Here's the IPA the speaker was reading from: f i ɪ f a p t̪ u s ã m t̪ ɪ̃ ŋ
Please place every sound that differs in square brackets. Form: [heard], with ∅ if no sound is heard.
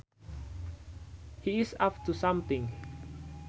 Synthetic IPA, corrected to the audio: [h] i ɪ [s] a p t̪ u s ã m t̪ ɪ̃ ŋ